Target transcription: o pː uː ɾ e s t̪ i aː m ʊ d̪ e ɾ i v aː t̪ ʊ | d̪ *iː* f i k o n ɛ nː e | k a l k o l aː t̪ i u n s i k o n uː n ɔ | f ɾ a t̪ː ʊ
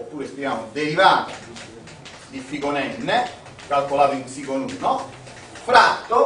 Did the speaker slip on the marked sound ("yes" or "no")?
yes